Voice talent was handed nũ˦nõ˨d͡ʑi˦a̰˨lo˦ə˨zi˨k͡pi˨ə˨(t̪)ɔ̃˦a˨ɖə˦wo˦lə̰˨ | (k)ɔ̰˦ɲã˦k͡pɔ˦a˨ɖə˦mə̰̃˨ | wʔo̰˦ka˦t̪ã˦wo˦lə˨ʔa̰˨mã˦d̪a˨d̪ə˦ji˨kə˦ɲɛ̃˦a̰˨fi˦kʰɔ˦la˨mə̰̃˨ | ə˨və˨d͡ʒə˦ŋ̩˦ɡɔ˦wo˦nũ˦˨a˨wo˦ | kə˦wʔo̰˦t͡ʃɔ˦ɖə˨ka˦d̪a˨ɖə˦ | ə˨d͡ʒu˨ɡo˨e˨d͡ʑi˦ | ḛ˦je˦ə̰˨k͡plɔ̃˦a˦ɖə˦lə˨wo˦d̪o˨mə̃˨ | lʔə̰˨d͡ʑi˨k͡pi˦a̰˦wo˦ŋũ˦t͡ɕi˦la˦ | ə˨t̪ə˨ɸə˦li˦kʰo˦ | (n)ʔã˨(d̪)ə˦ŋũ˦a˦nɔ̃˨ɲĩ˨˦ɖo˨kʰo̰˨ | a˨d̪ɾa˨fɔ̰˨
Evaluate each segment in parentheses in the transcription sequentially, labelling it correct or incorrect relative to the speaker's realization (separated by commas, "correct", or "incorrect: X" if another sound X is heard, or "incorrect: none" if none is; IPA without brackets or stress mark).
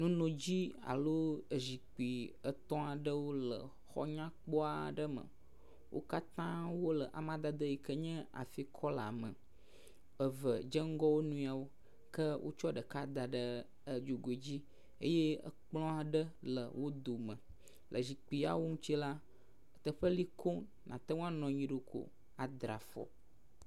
correct, incorrect: x, correct, incorrect: t̪